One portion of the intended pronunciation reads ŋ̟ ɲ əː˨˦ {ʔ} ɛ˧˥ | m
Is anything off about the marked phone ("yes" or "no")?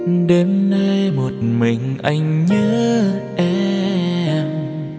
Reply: no